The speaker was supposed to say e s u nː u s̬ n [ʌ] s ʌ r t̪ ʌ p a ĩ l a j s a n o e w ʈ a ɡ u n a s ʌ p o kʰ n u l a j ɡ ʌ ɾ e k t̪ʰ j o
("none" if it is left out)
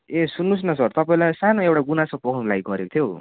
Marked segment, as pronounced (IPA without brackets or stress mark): ʌ